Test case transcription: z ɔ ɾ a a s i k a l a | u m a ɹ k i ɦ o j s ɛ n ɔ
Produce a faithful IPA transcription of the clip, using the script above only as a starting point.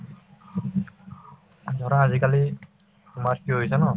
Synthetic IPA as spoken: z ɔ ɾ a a z i k a l i | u m a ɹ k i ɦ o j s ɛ n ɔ